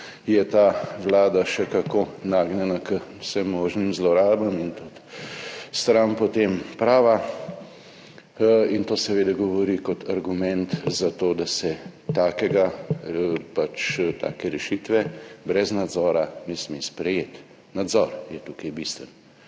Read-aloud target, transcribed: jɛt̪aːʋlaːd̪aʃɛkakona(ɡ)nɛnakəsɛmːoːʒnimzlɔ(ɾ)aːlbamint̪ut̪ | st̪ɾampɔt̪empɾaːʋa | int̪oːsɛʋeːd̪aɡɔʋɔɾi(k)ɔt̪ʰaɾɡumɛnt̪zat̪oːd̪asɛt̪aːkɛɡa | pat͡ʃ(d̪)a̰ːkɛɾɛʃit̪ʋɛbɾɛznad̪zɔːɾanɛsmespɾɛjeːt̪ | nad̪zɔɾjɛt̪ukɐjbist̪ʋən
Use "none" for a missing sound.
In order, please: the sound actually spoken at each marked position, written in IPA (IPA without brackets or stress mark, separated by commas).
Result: ɡ, ɾ, k, t̪